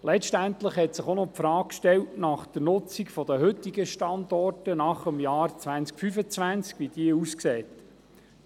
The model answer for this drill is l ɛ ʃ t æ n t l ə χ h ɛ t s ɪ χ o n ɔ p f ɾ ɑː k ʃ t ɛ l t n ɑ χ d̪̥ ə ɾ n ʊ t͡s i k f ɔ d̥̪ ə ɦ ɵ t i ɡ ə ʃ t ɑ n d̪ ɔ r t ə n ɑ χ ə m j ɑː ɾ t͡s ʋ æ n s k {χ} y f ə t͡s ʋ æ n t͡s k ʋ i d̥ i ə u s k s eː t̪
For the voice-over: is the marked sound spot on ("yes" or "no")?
no